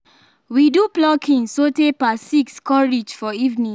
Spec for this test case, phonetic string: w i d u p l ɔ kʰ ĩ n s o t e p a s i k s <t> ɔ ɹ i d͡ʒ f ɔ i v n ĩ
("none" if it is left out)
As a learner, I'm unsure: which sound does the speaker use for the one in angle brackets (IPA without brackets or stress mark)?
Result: k